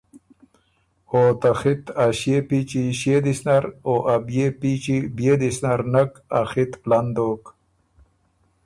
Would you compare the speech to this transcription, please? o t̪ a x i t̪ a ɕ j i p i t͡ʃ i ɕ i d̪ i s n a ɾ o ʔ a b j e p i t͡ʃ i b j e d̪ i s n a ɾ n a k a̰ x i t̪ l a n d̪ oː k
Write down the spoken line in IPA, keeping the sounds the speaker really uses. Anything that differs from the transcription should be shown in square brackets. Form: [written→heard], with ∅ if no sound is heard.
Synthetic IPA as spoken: o t̪ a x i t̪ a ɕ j [i→e] p i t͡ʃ i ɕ [i→e] d̪ i s n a ɾ o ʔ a b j e p i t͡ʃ i b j e d̪ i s n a ɾ n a k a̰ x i t̪ l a n d̪ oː k